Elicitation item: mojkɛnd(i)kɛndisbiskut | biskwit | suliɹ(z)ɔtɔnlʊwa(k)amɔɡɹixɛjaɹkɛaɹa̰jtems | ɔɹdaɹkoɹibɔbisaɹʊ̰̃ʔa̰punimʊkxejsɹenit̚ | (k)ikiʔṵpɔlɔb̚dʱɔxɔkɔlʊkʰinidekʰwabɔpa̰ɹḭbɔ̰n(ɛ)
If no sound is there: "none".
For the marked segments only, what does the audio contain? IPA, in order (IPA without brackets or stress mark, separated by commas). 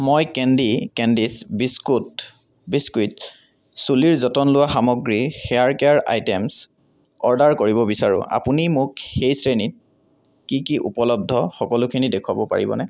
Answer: i, z, x, k, ɛ